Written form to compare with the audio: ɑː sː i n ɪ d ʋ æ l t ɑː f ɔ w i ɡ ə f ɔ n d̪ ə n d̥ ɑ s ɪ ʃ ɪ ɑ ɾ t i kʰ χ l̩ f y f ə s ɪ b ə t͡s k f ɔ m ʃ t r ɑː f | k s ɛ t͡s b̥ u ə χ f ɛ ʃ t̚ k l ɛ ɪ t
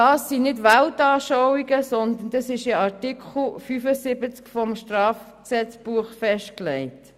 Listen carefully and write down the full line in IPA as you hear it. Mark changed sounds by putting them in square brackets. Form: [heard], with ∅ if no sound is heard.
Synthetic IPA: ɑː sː i n ɪ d ʋ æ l t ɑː [ʃ] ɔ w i ɡ ə [s] ɔ n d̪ ə n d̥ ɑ s ɪ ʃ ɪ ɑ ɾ t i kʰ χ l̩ f y f ə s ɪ b ə t͡s k f ɔ m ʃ t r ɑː f | k s ɛ t͡s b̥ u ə χ f ɛ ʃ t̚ k l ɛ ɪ t